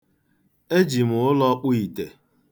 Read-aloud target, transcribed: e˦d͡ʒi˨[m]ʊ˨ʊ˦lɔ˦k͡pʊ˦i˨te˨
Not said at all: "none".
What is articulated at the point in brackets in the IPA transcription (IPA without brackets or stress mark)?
m